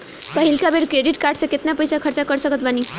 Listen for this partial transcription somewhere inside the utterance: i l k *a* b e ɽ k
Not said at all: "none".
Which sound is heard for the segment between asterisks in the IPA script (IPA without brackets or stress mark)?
a